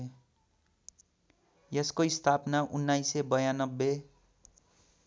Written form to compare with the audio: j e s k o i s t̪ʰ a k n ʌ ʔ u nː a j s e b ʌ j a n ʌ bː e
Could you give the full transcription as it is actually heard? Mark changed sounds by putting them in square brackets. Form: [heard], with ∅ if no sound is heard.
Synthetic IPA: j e s k o i s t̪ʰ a [p] n [a] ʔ u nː a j s e b ʌ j a n ʌ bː e